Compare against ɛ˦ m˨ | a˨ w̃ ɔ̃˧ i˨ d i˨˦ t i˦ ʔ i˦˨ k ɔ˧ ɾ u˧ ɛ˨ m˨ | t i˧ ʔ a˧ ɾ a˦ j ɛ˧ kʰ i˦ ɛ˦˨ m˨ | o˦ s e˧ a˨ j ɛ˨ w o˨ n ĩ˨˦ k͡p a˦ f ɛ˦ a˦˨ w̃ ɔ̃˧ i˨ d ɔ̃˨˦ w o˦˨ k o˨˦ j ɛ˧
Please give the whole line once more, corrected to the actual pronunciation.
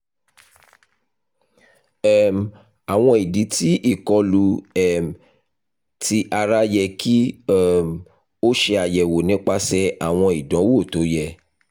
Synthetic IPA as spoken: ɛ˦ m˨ | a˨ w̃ ɔ̃˧ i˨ d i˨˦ t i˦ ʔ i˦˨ k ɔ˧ l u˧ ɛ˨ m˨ | t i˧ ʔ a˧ ɾ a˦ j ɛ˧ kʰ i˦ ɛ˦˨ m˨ | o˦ ʃ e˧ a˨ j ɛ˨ w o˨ n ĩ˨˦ k͡p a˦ s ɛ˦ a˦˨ w̃ ɔ̃˧ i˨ d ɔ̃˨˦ w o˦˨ t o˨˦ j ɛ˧

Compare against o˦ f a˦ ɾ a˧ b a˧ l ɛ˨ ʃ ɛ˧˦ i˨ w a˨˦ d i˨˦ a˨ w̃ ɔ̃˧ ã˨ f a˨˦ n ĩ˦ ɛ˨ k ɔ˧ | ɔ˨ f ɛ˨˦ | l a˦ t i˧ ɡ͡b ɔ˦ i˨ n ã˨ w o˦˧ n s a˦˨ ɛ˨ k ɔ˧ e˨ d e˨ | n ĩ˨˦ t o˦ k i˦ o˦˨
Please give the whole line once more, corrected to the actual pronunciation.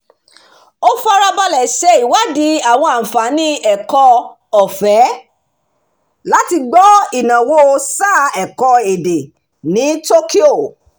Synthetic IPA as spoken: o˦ f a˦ ɾ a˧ b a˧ l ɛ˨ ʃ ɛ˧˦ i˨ w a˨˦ d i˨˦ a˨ w̃ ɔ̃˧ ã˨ f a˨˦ n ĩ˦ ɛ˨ k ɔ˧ | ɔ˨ f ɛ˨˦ | l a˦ t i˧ ɡ͡b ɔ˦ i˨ n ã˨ w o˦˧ s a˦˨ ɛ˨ k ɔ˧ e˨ d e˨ | n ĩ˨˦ t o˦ k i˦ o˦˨

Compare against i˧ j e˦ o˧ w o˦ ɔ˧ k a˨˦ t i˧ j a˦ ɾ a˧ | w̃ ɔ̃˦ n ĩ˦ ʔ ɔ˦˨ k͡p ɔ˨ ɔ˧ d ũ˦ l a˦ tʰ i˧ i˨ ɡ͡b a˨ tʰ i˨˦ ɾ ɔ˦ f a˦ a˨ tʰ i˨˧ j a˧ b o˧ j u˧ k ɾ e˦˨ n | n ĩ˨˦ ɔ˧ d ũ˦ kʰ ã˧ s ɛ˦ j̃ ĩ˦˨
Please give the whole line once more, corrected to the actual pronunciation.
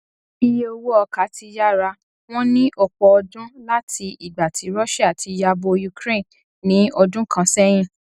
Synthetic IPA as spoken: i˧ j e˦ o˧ w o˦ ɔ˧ k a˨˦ t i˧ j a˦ ɾ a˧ | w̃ ɔ̃˦ n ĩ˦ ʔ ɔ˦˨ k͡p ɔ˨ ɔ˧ d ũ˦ l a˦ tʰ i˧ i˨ ɡ͡b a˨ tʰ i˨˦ ɾ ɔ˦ ʃ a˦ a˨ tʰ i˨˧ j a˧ b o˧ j u˧ k ɾ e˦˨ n | n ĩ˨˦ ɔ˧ d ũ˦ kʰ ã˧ s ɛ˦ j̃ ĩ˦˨

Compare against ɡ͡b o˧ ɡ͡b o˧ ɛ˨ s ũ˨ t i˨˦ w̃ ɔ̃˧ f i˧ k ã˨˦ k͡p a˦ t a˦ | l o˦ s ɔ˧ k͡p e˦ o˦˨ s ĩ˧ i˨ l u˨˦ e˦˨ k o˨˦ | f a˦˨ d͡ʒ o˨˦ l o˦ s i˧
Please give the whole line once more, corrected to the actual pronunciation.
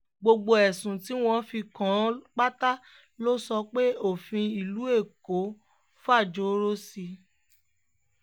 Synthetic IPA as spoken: ɡ͡b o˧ ɡ͡b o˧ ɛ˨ s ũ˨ t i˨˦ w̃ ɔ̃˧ f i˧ k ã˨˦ k͡p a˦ t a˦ | l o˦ s ɔ˧ k͡p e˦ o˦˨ f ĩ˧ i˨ l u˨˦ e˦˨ k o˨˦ | f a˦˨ d͡ʒ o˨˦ ɾ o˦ s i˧

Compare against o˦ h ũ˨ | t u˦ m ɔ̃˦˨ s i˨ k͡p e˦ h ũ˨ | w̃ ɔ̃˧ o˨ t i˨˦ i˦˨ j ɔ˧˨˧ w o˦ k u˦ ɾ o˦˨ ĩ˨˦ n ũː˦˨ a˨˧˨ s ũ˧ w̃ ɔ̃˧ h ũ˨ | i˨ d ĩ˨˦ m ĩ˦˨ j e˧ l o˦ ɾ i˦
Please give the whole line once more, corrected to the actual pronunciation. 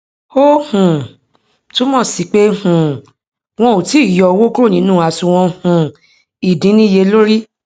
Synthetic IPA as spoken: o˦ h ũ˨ | t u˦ m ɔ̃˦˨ s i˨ k͡p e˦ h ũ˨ | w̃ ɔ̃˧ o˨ t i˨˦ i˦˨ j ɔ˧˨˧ w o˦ k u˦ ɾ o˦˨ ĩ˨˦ n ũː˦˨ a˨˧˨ s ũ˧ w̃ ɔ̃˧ h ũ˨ | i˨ d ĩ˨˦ n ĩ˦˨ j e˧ l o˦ ɾ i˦

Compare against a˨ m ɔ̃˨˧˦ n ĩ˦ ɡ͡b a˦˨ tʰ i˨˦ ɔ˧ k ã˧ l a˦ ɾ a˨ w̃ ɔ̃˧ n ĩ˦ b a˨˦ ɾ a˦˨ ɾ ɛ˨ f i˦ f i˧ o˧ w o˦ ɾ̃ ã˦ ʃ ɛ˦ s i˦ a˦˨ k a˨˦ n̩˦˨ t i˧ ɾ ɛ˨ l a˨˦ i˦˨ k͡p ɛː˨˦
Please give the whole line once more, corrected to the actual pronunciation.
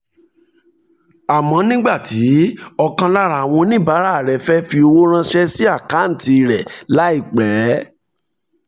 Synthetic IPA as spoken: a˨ m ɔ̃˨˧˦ n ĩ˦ ɡ͡b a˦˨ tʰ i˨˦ ɔ˧ k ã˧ l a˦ ɾ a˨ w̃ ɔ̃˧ n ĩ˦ b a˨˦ ɾ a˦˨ ɾ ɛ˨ f ɛ˦ f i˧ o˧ w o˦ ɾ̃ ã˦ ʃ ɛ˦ s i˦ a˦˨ k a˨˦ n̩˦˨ t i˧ ɾ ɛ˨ l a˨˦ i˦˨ k͡p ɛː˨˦

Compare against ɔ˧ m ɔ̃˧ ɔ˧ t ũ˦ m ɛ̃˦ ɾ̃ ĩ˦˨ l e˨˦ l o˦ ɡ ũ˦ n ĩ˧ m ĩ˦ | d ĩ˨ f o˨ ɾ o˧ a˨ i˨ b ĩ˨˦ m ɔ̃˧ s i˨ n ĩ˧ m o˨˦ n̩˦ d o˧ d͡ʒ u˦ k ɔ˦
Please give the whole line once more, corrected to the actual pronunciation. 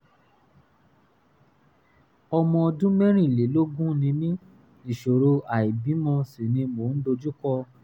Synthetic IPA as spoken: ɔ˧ m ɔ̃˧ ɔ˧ d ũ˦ m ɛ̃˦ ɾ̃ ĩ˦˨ l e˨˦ l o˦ ɡ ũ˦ n ĩ˧ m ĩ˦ | n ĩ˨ ʃ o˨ ɾ o˧ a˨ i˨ b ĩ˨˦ m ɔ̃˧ s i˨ n ĩ˧ m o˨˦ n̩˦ d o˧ d͡ʒ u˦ k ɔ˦

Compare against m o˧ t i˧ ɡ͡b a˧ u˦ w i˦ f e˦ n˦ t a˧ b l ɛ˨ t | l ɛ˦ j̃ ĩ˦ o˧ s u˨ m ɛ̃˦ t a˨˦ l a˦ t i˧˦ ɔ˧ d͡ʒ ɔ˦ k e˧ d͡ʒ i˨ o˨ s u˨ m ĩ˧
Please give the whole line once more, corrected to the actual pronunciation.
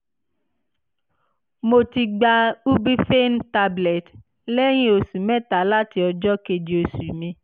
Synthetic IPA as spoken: m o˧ t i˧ ɡ͡b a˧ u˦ b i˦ f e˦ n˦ t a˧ b l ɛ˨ t | l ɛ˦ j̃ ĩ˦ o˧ s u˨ m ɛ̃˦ t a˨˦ l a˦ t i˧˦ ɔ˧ d͡ʒ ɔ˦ k e˧ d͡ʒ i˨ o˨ s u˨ m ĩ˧

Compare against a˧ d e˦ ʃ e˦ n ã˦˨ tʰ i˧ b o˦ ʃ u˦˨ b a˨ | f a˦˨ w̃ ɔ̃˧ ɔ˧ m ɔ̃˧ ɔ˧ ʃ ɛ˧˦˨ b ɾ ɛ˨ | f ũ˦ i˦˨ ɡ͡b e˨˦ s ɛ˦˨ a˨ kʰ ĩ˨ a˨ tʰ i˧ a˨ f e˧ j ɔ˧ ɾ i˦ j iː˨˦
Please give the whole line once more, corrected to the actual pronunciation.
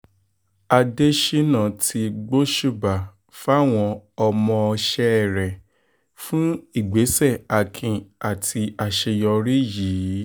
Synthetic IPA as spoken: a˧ d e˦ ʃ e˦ n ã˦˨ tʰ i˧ ɡ͡b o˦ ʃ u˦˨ b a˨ | f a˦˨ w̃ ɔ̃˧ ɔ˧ m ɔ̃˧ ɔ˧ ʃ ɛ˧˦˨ ɾ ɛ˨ | f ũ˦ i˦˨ ɡ͡b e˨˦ s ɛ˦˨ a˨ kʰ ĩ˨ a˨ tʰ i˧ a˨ ʃ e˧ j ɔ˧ ɾ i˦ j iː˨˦

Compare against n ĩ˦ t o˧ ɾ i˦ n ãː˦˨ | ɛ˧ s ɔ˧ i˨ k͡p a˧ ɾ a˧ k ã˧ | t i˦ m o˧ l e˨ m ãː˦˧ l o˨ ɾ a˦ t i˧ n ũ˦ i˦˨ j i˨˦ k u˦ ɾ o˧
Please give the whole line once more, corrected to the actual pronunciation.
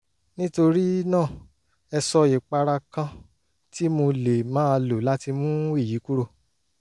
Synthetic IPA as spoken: n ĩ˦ t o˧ ɾ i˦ n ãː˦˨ | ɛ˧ s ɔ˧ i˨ k͡p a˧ ɾ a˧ k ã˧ | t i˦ m o˧ l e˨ m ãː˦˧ l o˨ l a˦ t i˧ m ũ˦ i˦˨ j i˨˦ k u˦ ɾ o˧

